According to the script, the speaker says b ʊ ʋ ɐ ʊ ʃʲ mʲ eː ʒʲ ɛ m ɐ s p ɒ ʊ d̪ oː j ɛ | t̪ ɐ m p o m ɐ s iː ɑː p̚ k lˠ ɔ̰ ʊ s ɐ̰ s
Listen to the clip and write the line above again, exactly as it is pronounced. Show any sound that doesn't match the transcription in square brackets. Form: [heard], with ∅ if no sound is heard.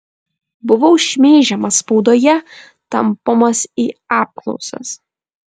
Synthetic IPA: b ʊ ʋ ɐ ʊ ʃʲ mʲ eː ʒʲ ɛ m ɐ s p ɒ ʊ d̪ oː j ɛ | t̪ ɐ m p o m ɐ s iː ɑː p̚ k lˠ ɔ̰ ʊ s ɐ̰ s